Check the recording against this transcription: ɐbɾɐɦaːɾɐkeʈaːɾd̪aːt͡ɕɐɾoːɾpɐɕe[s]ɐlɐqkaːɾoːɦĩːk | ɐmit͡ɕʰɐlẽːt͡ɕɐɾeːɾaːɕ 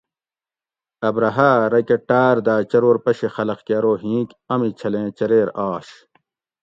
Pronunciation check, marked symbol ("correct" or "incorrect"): incorrect